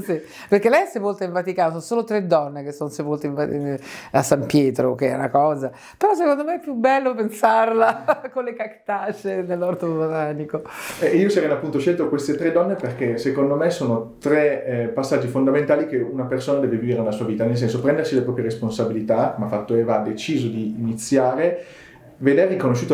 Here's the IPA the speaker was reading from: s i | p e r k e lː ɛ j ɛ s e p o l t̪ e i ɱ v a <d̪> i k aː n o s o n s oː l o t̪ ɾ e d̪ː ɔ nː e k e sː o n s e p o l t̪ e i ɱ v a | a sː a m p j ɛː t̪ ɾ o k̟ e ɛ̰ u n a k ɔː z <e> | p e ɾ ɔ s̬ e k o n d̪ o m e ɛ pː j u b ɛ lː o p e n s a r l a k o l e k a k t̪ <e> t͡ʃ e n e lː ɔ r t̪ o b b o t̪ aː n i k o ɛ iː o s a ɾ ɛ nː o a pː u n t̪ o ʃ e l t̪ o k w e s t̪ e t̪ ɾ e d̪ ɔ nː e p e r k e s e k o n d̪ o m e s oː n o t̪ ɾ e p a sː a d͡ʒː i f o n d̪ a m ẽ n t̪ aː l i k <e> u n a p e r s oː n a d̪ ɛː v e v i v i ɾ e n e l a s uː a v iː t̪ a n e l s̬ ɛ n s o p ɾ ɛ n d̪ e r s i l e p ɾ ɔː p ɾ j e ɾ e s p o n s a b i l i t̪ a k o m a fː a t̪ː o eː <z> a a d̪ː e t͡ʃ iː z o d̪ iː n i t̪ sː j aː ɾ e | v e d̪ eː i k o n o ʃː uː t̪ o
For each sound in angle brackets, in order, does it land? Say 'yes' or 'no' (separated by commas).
no, no, no, yes, no